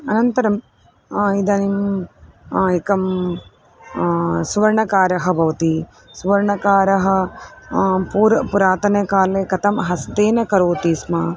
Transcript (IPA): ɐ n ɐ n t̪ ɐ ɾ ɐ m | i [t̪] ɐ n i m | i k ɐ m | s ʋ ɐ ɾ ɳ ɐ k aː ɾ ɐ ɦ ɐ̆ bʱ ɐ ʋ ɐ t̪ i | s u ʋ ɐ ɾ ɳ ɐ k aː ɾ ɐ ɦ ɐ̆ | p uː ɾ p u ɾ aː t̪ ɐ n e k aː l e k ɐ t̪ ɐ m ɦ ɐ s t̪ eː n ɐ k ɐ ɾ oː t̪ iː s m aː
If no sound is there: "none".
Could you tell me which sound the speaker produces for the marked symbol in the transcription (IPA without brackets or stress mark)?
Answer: d̪